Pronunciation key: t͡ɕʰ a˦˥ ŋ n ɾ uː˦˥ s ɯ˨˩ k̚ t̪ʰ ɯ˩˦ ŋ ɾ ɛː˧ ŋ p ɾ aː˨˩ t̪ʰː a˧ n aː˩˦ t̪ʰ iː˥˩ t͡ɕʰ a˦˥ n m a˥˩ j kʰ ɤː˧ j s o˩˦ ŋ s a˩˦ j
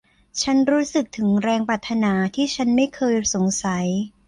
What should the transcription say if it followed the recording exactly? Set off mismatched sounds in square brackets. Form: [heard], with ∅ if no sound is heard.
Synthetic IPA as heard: t͡ɕʰ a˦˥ [∅] n ɾ uː˦˥ s ɯ˨˩ k̚ t̪ʰ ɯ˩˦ ŋ ɾ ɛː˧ ŋ p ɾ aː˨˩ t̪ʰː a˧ n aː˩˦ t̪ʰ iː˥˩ t͡ɕʰ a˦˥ n m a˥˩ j kʰ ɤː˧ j s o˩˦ ŋ s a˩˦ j